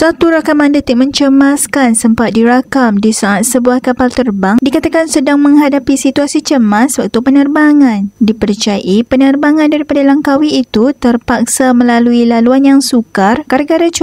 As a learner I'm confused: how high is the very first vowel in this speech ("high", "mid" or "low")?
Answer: low